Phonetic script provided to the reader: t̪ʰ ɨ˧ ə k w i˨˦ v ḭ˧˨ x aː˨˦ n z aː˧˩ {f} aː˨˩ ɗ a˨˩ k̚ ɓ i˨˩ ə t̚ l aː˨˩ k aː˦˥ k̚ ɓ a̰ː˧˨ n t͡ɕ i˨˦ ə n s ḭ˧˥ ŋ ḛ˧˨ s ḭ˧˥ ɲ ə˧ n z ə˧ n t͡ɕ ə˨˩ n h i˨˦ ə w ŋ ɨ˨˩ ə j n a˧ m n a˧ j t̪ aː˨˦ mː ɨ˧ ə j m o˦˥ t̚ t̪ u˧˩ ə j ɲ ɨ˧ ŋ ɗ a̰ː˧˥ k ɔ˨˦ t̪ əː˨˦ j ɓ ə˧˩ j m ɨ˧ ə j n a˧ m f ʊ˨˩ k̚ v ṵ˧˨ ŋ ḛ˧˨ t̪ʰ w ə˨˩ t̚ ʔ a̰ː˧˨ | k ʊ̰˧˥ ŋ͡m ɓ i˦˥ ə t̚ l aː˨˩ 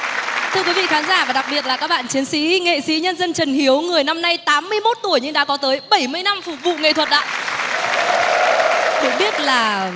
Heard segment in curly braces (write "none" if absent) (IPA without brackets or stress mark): v